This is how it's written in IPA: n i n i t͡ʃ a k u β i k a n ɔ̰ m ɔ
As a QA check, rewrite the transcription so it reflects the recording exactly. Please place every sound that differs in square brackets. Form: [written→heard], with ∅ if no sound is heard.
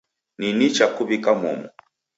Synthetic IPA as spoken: n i n i t͡ʃ a k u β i k a [n→m] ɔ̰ m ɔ